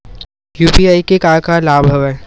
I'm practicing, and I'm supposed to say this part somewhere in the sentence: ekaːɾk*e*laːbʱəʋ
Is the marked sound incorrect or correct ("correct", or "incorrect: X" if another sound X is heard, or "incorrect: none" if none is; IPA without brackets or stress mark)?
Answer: incorrect: a